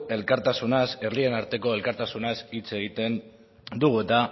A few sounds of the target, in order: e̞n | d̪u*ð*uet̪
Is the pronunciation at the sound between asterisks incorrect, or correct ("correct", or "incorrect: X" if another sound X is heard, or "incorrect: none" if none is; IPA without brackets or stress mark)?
incorrect: ɣ